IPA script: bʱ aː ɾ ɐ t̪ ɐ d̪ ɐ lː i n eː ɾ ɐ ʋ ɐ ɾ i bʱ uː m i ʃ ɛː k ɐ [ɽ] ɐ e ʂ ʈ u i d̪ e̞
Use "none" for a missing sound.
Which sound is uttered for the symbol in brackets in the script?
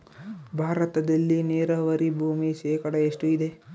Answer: ɽ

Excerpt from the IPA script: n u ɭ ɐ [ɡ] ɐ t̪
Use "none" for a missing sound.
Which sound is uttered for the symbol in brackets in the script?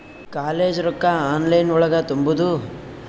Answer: ɡ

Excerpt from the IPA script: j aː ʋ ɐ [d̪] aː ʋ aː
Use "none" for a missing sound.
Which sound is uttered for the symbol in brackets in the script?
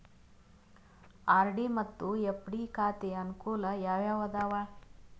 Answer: d̪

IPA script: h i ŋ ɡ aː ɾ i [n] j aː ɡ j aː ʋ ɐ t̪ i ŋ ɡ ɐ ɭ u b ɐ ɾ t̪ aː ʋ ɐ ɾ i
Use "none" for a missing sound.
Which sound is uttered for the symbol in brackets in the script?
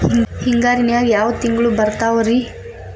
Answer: n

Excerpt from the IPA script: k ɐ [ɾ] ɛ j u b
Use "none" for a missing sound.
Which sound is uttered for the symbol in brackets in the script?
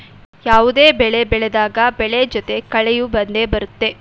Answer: ɭ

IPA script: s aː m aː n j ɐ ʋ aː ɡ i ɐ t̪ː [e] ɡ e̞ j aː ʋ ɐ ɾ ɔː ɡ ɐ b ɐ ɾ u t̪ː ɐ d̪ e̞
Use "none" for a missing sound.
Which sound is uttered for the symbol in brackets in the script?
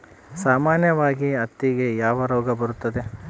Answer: i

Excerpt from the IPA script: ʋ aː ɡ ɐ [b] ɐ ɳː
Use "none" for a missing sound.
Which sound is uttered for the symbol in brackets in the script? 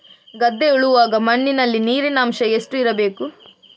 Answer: m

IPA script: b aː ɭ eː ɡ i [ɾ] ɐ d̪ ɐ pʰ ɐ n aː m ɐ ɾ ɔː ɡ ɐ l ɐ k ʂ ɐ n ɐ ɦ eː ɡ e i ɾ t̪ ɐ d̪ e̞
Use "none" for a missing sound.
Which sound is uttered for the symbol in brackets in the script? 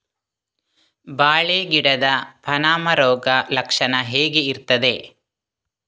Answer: ɽ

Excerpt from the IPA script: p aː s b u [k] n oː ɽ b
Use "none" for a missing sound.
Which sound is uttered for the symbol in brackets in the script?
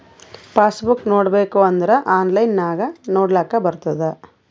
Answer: k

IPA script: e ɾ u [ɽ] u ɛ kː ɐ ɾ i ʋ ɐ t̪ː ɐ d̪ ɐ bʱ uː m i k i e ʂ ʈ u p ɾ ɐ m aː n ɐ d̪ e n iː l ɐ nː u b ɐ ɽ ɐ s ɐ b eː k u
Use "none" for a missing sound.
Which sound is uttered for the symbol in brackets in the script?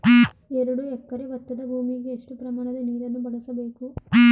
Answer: ɽ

